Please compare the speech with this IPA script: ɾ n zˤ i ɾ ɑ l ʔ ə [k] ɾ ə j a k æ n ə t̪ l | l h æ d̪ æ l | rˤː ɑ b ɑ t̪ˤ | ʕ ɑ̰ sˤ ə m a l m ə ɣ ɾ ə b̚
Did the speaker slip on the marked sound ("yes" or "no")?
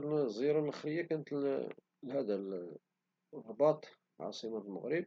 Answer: yes